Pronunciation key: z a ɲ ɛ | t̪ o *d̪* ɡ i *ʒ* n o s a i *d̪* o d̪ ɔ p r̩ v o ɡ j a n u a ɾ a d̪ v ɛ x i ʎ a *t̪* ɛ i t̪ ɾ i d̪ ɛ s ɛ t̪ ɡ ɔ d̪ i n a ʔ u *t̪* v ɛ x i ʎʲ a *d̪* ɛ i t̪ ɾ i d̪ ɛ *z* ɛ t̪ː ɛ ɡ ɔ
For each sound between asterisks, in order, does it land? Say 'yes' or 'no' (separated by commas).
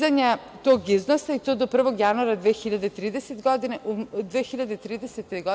no, no, no, no, no, yes, no